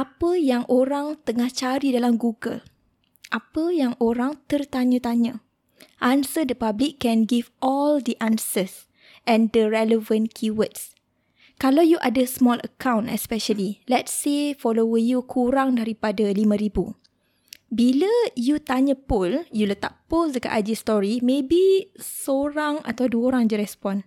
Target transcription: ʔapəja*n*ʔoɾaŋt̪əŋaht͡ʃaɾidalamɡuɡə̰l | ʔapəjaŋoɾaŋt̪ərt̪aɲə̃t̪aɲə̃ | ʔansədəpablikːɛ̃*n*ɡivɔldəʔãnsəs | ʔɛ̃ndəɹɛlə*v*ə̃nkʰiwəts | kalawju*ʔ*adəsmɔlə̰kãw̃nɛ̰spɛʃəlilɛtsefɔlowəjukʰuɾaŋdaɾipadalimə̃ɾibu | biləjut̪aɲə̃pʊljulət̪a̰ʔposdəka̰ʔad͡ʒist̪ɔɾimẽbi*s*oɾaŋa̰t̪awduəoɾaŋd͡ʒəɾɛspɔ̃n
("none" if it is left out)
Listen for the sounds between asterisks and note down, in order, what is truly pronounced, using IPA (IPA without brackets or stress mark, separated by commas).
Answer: ŋ, n, v, ʔ, s